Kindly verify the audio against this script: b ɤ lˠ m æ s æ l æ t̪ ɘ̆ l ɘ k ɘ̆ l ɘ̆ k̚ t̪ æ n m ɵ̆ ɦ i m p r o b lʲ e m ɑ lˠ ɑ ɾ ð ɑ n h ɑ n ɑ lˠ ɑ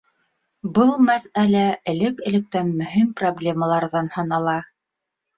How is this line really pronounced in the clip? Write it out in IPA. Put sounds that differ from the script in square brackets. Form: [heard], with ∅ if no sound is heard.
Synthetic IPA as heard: b ɤ lˠ m æ s æ l æ [∅] ɘ̆ l ɘ k ɘ̆ l ɘ̆ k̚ t̪ æ n m ɵ̆ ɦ i m p r o b lʲ e m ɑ lˠ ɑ ɾ ð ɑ n h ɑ n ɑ lˠ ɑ